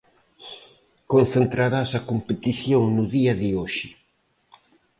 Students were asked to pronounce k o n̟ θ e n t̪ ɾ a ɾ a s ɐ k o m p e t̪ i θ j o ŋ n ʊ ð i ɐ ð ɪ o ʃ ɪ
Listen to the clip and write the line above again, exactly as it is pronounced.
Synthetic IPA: k o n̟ θ e n t̪ ɾ a ɾ a s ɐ k o m p e t̪ i θ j o ŋ n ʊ ð i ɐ ð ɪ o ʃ ɪ